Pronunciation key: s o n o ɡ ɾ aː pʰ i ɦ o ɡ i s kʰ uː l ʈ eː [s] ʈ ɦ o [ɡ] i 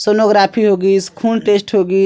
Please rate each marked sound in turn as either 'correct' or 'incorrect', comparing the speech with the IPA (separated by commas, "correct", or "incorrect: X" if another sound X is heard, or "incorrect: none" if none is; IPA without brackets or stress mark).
correct, correct